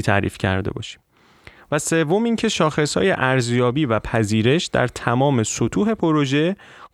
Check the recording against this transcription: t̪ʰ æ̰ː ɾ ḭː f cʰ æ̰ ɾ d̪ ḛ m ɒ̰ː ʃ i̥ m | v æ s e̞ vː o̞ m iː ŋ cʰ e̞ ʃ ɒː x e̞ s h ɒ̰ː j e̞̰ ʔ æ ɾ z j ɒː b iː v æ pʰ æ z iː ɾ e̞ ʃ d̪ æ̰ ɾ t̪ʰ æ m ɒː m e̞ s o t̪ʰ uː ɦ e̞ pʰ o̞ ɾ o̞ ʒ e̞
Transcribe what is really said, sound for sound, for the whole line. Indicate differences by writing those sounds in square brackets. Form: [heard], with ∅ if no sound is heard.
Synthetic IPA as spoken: t̪ʰ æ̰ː ɾ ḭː f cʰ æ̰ ɾ d̪ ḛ [b] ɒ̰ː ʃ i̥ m | v æ s e̞ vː o̞ m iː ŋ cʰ e̞ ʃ ɒː x e̞ s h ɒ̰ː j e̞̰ ʔ æ ɾ z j ɒː b iː v æ pʰ æ z iː ɾ e̞ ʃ d̪ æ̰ ɾ t̪ʰ æ m ɒː m e̞ s o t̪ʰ uː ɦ e̞ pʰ o̞ ɾ o̞ ʒ e̞